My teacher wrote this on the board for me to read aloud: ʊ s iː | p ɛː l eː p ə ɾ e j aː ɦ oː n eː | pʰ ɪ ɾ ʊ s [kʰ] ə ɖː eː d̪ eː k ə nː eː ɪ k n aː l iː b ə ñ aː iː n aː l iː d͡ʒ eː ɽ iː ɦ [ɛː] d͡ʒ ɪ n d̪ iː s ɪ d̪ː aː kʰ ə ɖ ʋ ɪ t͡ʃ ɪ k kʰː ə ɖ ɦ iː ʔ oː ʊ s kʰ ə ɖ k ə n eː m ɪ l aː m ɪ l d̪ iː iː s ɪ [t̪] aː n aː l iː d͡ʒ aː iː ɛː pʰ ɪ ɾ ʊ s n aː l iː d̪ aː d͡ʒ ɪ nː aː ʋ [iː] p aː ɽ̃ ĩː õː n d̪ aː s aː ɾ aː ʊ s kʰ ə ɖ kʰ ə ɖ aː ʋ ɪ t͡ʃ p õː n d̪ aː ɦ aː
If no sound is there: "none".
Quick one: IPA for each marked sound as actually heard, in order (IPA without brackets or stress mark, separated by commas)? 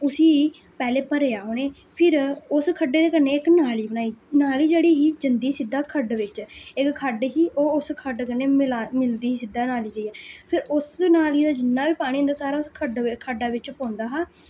kʰ, iː, d̪, iː